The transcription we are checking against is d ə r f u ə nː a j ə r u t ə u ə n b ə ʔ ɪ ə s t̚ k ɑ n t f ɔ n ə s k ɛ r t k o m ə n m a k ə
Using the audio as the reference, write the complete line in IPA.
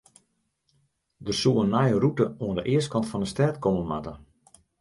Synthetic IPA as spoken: d ə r s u ə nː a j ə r u t ə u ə n d ə ʔ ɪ ə s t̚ k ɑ n t f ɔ n ə s t ɛ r t k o m ə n m a t ə